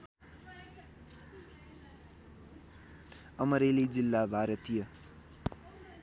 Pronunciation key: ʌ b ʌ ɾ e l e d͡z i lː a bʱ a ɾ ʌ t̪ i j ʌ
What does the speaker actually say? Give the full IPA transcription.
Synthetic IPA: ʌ m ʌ ɾ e l i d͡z i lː a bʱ a ɾ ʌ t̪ i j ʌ